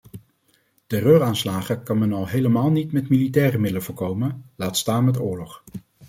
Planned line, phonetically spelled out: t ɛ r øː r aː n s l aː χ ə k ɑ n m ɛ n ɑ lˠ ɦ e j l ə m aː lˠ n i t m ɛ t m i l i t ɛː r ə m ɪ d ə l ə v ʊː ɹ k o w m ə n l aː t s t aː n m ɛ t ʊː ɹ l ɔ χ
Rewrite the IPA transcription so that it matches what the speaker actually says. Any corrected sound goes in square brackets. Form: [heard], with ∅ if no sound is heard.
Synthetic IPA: t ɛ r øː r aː n s l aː χ ə k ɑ n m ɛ n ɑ lˠ ɦ e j l ə m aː lˠ n i t m ɛ t m i l i t ɛː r ə m ɪ d ə l ə v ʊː ɹ k o w m ə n l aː t s t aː n m ɛ t ʊː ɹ l ɔ χ

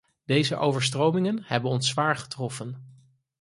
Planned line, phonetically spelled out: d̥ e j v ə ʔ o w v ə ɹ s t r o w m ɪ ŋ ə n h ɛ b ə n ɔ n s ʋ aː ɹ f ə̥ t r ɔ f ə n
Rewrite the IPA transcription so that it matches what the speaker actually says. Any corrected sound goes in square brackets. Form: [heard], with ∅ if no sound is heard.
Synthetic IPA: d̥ e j [z] ə ʔ o w v ə ɹ s t r o w m ɪ ŋ ə n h ɛ b ə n ɔ n s ʋ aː ɹ [χ] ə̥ t r ɔ f ə n

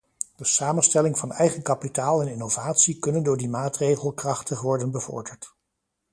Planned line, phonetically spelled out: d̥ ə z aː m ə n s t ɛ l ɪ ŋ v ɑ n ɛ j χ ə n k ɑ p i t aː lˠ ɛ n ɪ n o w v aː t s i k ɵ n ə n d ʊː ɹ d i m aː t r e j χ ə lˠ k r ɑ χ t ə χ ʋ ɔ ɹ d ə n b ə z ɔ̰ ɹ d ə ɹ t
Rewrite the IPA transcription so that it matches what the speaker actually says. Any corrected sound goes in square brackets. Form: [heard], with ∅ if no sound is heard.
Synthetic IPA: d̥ ə [s] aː m ə n s t ɛ l ɪ ŋ v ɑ n ɛ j χ ə n k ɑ p i t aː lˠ ɛ n ɪ n o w v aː t s i k ɵ n ə n d ʊː ɹ d i m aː t r e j χ ə lˠ k r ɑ χ t ə χ ʋ ɔ ɹ d ə n b ə [v] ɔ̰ ɹ d ə ɹ t

